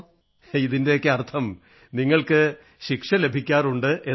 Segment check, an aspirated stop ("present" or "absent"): present